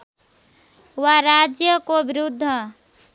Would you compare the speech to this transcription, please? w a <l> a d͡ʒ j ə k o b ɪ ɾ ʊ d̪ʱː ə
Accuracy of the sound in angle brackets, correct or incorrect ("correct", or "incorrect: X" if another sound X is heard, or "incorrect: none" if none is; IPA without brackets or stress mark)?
incorrect: ɾ